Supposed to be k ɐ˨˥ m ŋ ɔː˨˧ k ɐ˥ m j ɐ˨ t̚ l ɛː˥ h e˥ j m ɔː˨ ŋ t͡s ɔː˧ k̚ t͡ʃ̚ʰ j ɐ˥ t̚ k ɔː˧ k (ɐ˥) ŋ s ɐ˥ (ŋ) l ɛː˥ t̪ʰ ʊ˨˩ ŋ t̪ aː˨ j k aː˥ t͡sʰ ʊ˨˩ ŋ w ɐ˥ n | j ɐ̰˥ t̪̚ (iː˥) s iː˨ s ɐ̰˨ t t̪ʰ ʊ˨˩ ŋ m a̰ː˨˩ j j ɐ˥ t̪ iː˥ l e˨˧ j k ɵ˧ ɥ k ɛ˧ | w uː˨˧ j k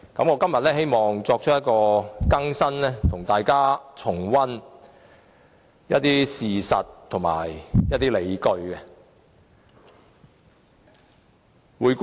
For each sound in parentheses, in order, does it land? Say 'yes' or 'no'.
yes, no, yes

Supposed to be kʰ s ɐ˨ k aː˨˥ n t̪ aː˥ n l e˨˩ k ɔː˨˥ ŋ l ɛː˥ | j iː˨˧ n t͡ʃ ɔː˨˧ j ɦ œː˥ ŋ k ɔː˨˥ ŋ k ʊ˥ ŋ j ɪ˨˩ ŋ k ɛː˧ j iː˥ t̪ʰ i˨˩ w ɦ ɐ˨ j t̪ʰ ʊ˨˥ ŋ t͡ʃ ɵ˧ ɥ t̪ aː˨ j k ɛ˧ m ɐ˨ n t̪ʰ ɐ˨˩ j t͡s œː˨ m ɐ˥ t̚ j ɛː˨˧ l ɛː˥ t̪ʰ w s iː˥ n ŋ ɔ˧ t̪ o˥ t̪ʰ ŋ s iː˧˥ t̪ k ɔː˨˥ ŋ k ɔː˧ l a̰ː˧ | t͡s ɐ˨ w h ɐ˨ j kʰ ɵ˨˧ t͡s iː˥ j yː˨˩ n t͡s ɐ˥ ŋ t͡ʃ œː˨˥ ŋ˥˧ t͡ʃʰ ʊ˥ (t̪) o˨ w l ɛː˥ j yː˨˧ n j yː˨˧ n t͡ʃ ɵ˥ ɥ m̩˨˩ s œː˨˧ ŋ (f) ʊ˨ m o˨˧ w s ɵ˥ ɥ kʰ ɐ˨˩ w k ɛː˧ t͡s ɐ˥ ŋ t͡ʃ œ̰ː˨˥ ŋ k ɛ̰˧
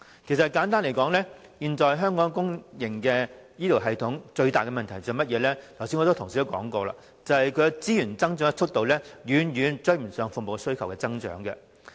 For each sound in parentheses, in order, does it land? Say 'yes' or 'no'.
yes, yes

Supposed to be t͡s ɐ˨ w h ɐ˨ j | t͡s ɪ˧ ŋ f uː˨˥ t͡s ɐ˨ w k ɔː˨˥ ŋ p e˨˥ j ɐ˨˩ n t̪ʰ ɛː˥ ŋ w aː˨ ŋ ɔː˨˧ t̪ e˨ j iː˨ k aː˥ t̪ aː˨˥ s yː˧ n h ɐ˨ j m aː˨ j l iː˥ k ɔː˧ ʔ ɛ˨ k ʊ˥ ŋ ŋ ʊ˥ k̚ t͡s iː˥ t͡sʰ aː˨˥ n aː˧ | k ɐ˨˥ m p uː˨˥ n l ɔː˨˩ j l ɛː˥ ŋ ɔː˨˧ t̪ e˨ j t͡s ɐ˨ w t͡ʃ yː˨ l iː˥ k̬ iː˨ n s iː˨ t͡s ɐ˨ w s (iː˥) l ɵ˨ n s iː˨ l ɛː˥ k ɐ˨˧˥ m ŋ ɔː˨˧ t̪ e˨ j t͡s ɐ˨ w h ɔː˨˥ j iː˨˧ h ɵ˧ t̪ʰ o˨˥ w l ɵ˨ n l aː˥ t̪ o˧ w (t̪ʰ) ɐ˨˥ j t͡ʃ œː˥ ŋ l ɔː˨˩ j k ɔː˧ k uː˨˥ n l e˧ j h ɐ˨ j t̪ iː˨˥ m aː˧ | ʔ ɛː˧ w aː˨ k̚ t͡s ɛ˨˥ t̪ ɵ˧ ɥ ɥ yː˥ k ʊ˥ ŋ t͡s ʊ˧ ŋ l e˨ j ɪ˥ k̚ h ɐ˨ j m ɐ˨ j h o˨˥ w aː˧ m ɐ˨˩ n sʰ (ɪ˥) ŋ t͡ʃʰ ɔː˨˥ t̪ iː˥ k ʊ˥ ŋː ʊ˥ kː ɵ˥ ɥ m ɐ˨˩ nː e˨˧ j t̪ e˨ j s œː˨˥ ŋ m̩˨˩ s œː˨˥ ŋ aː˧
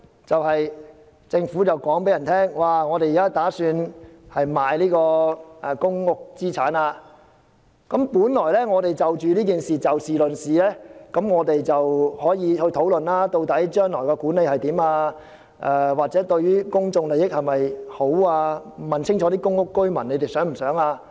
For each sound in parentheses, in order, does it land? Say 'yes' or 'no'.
no, no, yes

